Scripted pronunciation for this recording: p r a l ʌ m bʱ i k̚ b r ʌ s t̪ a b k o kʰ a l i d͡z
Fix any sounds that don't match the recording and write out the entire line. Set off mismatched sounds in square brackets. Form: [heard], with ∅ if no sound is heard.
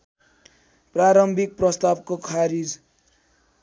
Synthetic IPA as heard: p r a [ɾ] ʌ m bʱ i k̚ [p] r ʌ s t̪ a b k o kʰ a [ɾ] i d͡z